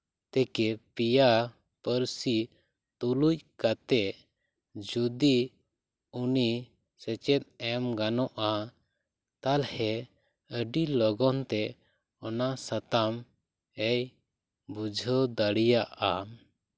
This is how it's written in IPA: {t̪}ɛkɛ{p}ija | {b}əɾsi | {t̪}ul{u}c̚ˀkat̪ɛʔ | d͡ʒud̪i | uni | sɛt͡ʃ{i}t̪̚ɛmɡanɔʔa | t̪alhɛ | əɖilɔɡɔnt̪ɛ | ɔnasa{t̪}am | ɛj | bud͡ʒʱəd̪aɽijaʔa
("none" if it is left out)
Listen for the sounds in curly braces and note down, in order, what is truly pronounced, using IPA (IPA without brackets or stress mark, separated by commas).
t̪, p, p, t̪, u, ɛ, t̪